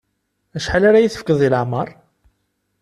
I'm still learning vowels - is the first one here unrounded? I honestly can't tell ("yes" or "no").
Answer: yes